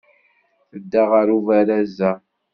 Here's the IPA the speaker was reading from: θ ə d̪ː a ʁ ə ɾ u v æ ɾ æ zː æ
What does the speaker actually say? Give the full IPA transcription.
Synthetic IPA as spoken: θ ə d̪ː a ʁ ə ɾ u v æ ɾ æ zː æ